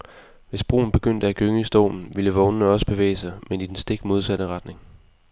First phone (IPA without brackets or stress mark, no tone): ʋ